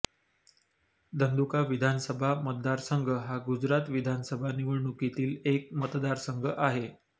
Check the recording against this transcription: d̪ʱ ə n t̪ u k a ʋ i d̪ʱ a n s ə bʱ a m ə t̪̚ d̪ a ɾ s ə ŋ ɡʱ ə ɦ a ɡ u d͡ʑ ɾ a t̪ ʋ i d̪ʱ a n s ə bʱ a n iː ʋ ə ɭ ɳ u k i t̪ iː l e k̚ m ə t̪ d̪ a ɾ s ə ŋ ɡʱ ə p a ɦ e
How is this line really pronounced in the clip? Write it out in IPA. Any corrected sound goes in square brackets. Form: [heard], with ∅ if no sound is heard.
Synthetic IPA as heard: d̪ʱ ə n [d̪] u k a ʋ i d̪ʱ a n s ə bʱ a m ə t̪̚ d̪ a ɾ s ə ŋ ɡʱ ə ɦ a ɡ u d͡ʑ ɾ a t̪ ʋ i d̪ʱ a n s ə bʱ a n [i] ʋ ə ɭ ɳ u k i t̪ iː l e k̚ m ə t̪ d̪ a ɾ s ə ŋ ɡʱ ə [ʔ] a ɦ e